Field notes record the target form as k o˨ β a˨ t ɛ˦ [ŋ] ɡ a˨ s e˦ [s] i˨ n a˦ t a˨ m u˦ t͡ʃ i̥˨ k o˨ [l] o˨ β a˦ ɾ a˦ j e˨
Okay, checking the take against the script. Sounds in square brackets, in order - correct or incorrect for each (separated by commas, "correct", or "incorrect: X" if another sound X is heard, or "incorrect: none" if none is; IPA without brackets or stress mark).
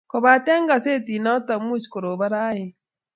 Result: correct, incorrect: t, incorrect: ɾ